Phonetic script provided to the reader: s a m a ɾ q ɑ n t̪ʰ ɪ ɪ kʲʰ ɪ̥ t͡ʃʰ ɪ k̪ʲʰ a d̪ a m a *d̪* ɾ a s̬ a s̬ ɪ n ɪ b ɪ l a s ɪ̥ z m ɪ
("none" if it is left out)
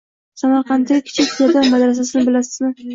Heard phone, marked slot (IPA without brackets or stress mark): d̪